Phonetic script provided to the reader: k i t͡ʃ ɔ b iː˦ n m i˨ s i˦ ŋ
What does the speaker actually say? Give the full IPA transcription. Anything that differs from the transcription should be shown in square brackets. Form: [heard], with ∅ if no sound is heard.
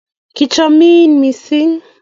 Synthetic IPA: k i t͡ʃ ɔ [m] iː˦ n m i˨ s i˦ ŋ